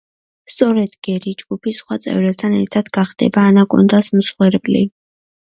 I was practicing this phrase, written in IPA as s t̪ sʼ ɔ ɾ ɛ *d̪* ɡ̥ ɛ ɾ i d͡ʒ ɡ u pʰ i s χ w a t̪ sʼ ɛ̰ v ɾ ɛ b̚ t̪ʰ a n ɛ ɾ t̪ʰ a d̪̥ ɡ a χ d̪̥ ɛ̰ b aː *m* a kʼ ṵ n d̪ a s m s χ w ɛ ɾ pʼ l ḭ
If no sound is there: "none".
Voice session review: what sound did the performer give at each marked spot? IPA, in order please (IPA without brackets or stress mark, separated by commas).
d̪, n